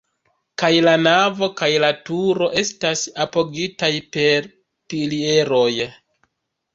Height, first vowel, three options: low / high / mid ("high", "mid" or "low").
low